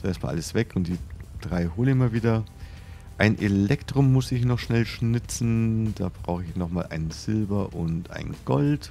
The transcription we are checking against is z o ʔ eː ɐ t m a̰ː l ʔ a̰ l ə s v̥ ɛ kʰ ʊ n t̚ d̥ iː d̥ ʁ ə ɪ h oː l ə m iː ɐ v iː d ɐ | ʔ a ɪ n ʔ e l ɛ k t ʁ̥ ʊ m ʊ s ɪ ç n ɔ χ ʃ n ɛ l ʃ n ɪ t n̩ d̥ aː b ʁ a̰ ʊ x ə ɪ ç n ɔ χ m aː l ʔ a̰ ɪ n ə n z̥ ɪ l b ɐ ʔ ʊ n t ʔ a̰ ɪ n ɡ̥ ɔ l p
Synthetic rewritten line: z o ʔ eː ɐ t m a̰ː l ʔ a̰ l ə s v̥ ɛ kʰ ʊ n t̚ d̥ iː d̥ ʁ a ɪ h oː l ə m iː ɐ v iː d ɐ | ʔ a ɪ n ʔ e l ɛ k t ʁ̥ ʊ m ʊ s ɪ ç n ɔ χ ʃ n ɛ l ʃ n ɪ t͡s n̩ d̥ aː b ʁ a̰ ʊ x ə ɪ ç n ɔ χ m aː l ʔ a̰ ɪ n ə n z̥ ɪ l b ɐ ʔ ʊ n t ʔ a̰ ɪ n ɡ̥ ɔ l t

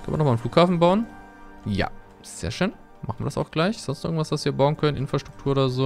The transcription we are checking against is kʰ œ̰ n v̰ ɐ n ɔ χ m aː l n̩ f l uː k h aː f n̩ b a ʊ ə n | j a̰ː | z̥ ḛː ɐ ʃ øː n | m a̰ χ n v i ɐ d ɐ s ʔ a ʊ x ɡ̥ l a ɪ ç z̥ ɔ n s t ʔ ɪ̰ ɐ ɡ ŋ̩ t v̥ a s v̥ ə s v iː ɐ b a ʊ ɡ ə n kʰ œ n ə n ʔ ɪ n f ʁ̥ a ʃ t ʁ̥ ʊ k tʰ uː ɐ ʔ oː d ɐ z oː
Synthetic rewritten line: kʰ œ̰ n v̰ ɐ n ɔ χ m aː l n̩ f l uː k h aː f n̩ b a ʊ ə n | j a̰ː | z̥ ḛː ɐ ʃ øː n | m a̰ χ n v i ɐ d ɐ s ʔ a ʊ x ɡ̥ l a ɪ ç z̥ ɔ n s t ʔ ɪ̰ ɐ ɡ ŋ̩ t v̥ a s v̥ a s v iː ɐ b a ʊ ə n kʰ œ n ə n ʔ ɪ n f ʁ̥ a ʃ t ʁ̥ ʊ k tʰ uː ɐ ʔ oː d ɐ z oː

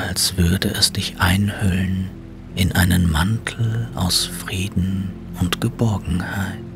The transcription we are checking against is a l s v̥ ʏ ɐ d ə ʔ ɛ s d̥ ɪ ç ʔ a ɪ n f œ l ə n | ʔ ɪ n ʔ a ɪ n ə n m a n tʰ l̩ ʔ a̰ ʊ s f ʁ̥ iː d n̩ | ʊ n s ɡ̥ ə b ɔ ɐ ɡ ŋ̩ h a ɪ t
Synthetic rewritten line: a l s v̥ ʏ ɐ d ə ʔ ɛ s d̥ ɪ ç ʔ a ɪ n h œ l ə n | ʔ ɪ n ʔ a ɪ n ə n m a n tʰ l̩ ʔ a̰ ʊ s f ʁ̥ iː d n̩ | ʊ n t ɡ̥ ə b ɔ ɐ ɡ ŋ̩ h a ɪ t

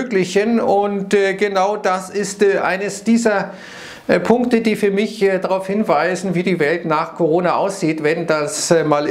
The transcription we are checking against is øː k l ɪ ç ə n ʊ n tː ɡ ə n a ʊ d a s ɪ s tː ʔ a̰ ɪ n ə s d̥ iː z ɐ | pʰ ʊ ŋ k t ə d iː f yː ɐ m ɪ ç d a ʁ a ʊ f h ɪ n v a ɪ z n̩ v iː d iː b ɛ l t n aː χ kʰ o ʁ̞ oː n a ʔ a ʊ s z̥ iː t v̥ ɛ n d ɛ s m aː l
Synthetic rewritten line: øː k l ɪ ç ə n ʊ n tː ɡ ə n a ʊ d a s ɪ s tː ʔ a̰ ɪ n ə s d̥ iː z ɐ | pʰ ʊ ŋ k t ə d iː f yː ɐ m ɪ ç d a ʁ a ʊ f h ɪ n v a ɪ z n̩ v iː d iː v ɛ l t n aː χ kʰ o ʁ̞ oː n a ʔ a ʊ s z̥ iː t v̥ ɛ n d a s m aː l

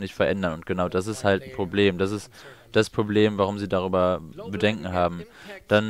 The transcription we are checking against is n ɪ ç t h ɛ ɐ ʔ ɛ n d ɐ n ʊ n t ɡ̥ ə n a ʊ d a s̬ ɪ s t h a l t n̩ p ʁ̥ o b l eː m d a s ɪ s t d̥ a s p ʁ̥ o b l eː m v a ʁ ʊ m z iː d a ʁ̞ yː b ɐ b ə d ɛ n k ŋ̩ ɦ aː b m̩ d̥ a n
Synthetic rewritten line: n ɪ ç t f ɛ ɐ ʔ ɛ n d ɐ n ʊ n t ɡ̥ ə n a ʊ d a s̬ ɪ s t h a l t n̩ p ʁ̥ o b l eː m d a s ɪ s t d̥ a s p ʁ̥ o b l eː m v a ʁ ʊ m z iː d a ʁ̞ yː b ɐ b ə d ɛ ŋ k ŋ̩ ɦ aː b m̩ d̥ a n

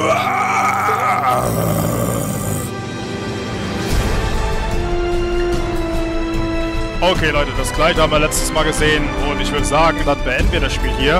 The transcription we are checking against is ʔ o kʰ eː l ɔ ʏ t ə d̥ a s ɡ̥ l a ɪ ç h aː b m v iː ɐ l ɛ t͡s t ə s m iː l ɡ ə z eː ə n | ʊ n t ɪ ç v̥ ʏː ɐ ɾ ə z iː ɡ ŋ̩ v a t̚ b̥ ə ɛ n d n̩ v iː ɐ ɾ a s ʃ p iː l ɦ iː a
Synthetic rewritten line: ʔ o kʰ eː l ɔ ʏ t ə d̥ a s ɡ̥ l a ɪ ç h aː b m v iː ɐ l ɛ t͡s t ə s m aː l ɡ ə z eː ə n | ʊ n t ɪ ç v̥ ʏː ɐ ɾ ə z aː ɡ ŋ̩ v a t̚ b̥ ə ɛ n d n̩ v iː ɐ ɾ a s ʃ p iː l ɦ iː ɐ

